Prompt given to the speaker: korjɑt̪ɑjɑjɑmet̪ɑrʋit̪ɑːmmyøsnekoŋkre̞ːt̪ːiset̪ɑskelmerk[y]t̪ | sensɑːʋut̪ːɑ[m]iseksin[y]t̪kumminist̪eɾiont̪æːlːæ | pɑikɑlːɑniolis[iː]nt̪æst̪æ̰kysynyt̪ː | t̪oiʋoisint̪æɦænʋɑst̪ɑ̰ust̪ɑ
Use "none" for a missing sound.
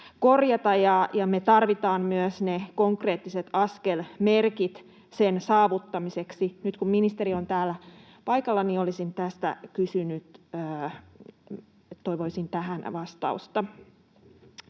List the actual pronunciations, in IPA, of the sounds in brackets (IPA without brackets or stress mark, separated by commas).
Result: i, m, y, i